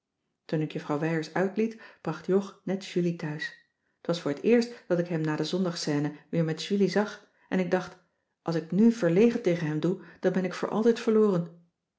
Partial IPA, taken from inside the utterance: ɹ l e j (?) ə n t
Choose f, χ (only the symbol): χ